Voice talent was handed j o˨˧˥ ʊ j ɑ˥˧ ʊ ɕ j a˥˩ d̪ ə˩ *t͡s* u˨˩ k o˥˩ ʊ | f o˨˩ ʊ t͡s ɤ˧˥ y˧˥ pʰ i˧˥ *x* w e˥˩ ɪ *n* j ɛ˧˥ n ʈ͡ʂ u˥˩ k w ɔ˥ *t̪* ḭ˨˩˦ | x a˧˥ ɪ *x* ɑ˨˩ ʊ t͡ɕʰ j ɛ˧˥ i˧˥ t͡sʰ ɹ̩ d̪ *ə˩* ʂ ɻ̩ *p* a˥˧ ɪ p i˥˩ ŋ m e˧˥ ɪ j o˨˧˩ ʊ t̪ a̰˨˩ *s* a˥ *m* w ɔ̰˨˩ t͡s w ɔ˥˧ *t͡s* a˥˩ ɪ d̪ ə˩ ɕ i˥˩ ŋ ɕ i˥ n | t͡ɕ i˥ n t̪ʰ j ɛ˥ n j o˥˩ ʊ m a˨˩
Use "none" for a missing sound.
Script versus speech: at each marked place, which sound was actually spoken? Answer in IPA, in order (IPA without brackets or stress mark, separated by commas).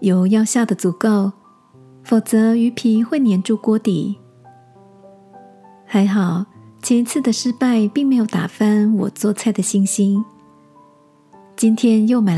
t͡s, x, n, t̪, x, ə˩, p, f, n, t͡sʰ